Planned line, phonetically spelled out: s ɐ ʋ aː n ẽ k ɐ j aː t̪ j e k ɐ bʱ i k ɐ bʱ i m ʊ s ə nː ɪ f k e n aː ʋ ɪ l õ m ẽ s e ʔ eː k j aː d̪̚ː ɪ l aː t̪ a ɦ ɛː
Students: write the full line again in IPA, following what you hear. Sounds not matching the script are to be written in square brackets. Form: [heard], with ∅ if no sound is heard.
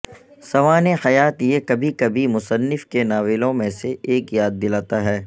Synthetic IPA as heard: s ɐ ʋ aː n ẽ [x] ɐ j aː t̪ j e k ɐ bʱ i k ɐ bʱ i m ʊ s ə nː ɪ f k e n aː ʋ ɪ l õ m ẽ s e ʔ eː k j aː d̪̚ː ɪ l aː t̪ a ɦ ɛː